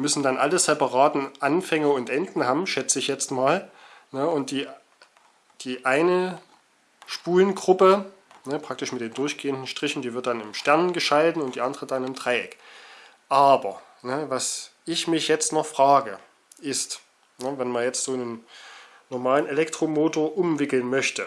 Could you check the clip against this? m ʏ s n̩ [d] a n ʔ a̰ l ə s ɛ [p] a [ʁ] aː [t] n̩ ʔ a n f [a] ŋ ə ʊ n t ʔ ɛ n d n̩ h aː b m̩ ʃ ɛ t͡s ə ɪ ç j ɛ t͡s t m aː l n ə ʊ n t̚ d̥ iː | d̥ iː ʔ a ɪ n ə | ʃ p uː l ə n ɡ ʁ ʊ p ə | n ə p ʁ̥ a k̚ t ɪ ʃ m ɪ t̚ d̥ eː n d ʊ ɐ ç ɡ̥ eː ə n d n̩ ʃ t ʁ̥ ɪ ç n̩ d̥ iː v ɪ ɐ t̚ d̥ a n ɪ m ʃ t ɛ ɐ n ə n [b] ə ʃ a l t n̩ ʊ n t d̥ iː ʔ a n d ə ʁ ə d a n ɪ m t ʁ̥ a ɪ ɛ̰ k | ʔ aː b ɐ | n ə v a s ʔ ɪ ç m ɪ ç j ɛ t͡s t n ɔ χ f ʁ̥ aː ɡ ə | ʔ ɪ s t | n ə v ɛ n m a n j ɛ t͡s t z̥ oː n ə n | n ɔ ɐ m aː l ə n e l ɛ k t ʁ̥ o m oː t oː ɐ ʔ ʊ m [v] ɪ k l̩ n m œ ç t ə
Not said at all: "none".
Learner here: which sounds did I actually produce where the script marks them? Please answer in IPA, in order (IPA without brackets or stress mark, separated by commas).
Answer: d, p, ʁ, t, ɛ, ɡ, v